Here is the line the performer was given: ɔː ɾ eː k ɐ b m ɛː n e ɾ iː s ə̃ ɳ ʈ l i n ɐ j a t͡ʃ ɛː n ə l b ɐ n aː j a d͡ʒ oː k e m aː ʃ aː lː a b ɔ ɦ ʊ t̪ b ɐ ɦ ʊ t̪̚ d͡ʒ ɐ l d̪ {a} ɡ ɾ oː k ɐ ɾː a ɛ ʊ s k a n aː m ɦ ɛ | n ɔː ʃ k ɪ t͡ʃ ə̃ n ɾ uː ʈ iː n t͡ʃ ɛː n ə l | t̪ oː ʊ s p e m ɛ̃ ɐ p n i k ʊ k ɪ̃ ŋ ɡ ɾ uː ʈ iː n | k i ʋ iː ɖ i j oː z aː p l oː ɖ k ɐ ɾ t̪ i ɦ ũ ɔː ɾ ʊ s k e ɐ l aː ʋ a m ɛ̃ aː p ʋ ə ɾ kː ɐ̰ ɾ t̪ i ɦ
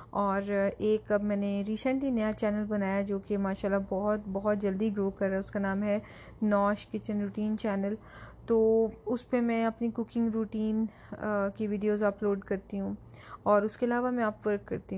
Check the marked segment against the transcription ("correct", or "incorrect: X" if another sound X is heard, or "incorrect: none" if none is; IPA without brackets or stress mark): incorrect: i